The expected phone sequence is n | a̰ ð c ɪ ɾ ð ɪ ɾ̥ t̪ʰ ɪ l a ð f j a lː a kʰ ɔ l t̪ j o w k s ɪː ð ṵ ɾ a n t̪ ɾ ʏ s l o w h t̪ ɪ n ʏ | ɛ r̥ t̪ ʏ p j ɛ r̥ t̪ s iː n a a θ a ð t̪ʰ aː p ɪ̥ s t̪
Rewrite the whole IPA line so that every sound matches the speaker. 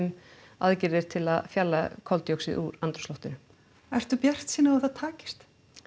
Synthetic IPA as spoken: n | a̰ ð c ɪ ɾ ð ɪ ɾ̥ t̪ʰ ɪ l a ð f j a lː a kʰ ɔ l t̪ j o w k s ɪ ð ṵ ɾ a n t̪ ɾ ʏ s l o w h t̪ ɪ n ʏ | ɛ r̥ t̪ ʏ p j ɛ r̥ t̪ s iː n a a θ a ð t̪ʰ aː c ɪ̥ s t̪